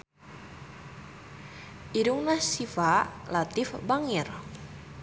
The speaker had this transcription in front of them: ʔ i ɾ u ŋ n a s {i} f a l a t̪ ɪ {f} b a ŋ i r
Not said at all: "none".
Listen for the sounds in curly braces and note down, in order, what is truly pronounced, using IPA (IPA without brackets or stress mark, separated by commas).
i, f